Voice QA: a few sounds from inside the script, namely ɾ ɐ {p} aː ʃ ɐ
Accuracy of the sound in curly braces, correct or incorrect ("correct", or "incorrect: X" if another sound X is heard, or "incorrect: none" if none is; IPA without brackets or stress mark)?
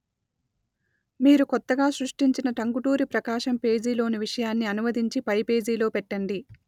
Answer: incorrect: k